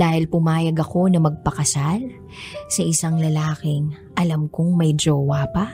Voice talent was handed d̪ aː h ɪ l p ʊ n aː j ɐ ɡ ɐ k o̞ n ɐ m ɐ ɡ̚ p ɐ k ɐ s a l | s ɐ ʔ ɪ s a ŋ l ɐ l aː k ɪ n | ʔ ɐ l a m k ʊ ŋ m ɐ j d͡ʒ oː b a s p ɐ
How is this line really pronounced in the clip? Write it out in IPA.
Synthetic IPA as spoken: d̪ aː h ɪ l p ʊ m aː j ɐ ɡ ɐ k o̞ n ɐ m ɐ ɡ̚ p ɐ k ɐ s a l | s ɐ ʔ ɪ s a ŋ l ɐ l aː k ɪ ŋ | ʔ ɐ l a m k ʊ ŋ m ɐ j d͡ʒ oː w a p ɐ